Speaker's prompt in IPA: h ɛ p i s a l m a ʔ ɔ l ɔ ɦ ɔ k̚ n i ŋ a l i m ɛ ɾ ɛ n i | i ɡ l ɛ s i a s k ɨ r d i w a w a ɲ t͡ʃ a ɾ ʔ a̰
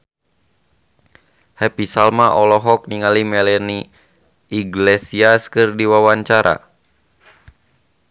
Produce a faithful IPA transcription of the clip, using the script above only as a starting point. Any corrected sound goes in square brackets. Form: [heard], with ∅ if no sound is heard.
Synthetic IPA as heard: h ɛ p i s a l m a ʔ ɔ l ɔ ɦ ɔ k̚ n i ŋ a l i m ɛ [l] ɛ n i | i ɡ l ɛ s i a s k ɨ r d i w a w a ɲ t͡ʃ a ɾ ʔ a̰